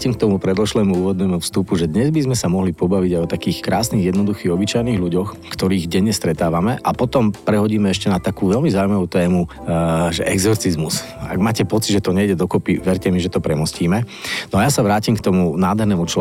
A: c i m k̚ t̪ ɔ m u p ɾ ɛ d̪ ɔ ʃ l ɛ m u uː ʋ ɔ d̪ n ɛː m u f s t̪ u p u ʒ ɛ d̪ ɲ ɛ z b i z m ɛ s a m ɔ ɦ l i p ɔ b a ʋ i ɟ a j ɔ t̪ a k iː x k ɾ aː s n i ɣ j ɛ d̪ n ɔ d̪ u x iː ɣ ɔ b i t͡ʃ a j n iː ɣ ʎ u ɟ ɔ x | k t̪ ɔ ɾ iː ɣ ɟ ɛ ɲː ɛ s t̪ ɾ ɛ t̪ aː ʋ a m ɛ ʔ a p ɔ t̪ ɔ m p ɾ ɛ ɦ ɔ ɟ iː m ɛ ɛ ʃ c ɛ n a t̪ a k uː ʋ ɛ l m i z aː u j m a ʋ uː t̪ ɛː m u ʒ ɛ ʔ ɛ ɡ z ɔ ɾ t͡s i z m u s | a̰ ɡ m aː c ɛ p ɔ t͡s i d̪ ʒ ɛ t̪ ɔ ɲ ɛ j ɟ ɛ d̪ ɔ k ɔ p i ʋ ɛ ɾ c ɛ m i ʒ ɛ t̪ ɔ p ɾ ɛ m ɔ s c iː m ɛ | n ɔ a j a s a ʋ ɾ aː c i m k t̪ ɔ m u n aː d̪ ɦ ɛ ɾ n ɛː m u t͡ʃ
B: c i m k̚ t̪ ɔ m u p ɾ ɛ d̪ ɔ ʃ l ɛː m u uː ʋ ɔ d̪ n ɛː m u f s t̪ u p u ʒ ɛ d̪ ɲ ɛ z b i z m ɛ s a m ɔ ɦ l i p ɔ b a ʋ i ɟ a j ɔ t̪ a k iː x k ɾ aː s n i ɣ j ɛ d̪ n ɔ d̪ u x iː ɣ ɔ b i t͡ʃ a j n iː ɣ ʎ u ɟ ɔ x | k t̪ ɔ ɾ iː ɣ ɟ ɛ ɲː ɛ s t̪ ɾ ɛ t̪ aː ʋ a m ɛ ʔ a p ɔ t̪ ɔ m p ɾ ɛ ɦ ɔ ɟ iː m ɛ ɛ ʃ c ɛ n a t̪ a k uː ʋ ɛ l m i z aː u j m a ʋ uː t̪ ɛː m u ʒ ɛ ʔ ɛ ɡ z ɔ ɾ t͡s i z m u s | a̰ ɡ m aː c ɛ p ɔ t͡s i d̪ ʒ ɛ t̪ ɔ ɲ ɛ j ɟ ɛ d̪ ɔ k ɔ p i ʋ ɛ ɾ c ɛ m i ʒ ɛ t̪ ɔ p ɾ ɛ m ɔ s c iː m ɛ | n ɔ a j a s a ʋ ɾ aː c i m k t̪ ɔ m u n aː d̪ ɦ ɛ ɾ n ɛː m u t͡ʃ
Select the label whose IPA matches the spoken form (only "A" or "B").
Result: B